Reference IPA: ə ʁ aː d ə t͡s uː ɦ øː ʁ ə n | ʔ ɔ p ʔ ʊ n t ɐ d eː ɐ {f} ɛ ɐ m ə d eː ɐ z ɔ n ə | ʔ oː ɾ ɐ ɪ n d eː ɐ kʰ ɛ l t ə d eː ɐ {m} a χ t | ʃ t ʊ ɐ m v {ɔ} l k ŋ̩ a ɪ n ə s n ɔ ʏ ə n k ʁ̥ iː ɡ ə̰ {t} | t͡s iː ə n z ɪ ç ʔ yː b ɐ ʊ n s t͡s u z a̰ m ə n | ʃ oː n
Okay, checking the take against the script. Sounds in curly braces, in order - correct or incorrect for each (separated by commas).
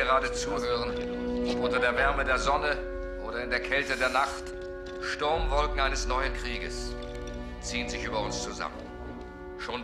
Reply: incorrect, incorrect, correct, incorrect